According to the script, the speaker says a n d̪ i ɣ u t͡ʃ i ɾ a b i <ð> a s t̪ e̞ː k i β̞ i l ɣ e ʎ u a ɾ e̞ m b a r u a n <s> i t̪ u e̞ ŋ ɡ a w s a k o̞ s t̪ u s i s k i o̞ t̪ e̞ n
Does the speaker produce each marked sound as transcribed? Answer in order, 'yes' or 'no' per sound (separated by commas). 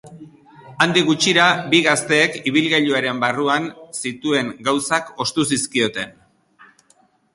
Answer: no, yes